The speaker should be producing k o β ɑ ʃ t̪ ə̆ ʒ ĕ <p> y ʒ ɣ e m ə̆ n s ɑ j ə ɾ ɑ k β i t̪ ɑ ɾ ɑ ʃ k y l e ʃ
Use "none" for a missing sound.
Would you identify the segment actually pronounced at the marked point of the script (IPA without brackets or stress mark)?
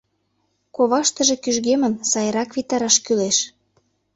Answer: k